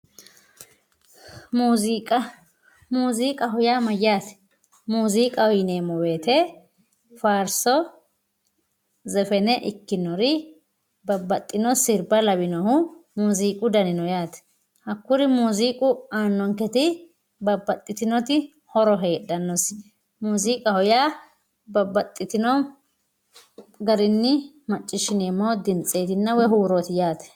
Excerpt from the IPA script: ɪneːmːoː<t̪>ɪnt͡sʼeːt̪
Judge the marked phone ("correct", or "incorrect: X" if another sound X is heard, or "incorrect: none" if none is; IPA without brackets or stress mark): incorrect: d̪